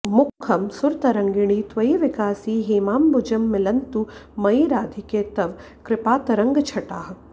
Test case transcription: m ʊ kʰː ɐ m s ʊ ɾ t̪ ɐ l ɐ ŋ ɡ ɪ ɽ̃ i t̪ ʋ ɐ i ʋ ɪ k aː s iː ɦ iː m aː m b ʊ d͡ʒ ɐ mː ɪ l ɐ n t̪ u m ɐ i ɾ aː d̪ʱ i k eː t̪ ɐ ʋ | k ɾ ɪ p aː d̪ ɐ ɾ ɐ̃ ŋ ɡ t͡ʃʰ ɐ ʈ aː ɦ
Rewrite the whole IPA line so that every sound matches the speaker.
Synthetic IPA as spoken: m ʊ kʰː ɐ m s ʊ ɾ t̪ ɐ ɾ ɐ ŋ ɡ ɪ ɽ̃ i t̪ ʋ ɐ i ʋ ɪ k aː s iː ɦ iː m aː m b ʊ d͡ʒ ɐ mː ɪ l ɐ n t̪ u m ɐ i ɾ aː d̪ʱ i k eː t̪ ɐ ʋ | k ɾ ɪ p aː t̪ ɐ ɾ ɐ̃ ŋ ɡ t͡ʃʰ ɐ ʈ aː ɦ